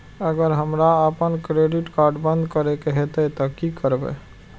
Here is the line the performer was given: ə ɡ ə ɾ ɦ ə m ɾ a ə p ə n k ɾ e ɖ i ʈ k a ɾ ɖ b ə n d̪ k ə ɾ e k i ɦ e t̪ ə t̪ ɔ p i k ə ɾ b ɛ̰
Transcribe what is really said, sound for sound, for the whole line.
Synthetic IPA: ə ɡ ə ɾ ɦ ə m ɾ a ə p ə n k ɾ e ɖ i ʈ k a ɾ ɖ b ə n d̪ k ə ɾ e k e ɦ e t̪ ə t̪ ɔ k i k ə ɾ b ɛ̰